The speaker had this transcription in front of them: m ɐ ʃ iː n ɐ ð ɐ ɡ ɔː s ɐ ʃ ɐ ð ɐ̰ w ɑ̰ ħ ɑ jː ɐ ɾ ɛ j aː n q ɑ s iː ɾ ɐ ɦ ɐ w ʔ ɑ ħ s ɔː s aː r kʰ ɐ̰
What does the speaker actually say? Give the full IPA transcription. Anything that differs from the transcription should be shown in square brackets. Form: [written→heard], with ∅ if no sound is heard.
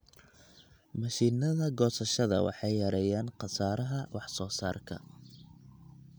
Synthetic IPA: m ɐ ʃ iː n ɐ ð ɐ ɡ ɔː s ɐ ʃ ɐ ð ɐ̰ w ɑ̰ ħ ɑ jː ɐ ɾ ɛ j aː n q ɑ s [iː→aː] ɾ ɐ ɦ ɐ w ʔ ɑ ħ s ɔː s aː r kʰ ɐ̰

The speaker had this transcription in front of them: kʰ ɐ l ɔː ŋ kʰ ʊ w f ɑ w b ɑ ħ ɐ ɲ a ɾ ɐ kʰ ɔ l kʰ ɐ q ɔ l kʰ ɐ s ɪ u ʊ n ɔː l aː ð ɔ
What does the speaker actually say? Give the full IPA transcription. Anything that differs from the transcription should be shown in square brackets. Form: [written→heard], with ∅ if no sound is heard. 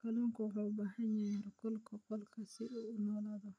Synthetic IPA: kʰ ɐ l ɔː ŋ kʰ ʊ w [f→ħ] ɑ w b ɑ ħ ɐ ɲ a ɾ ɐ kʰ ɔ l kʰ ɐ q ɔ l kʰ ɐ s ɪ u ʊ n ɔː l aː ð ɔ

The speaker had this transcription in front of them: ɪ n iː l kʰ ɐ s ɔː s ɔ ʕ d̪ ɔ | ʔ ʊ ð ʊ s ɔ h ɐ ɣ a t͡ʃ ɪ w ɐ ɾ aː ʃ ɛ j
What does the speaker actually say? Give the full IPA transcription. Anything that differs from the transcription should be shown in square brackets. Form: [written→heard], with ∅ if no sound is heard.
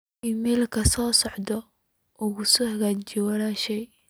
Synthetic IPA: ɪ [n→m] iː l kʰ ɐ s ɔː s ɔ ʕ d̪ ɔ | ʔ ʊ [ð→ɣ] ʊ s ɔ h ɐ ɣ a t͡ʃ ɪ w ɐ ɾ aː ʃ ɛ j

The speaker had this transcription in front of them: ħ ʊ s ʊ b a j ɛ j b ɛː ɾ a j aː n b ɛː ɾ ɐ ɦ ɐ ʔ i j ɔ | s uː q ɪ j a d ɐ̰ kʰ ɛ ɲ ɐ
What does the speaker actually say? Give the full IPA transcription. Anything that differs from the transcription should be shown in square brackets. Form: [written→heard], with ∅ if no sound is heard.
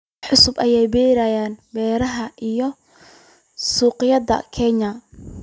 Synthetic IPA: ħ ʊ s ʊ b [a→ɐ] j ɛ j b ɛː ɾ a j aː n b ɛː ɾ ɐ ɦ ɐ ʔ i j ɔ | s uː q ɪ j [a→ɐ] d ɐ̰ kʰ ɛ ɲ ɐ

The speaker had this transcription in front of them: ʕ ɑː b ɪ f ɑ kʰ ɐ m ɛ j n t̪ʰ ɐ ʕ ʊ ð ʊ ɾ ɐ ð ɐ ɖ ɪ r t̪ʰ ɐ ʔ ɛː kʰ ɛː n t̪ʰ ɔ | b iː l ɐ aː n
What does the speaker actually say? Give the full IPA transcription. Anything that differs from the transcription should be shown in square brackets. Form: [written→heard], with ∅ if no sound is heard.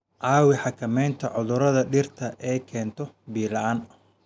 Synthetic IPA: ʕ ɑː [b→w] ɪ [f→ħ] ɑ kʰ ɐ m ɛ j n t̪ʰ ɐ ʕ ʊ ð ʊ ɾ ɐ ð ɐ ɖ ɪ r t̪ʰ ɐ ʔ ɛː kʰ ɛː n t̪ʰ ɔ | b iː l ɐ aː n

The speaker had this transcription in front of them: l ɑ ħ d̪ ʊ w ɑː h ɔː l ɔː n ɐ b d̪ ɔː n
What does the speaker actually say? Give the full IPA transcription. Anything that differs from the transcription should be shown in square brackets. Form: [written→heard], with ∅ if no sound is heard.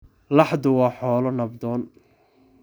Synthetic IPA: l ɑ ħ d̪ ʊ w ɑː [h→ħ] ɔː l [ɔː→ɔ] n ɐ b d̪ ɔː n

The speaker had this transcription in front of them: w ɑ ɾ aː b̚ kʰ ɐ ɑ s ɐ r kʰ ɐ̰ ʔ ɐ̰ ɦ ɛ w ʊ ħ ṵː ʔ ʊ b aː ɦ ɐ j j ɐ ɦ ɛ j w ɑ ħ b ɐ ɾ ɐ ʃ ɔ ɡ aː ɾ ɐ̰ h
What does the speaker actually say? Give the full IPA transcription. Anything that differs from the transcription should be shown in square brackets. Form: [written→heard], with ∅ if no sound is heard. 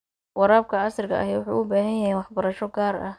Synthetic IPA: w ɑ ɾ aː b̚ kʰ ɐ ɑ s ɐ r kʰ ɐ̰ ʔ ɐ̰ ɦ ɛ w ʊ ħ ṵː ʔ ʊ b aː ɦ ɐ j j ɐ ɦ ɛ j w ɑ ħ b ɐ ɾ ɐ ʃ ɔ ɡ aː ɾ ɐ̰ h

